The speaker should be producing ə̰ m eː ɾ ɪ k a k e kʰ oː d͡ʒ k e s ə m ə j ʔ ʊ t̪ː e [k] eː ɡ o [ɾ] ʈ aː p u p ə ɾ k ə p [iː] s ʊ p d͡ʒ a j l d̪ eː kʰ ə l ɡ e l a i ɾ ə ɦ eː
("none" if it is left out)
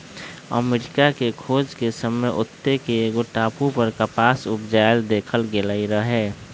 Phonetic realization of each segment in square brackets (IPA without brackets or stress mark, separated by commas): k, none, aː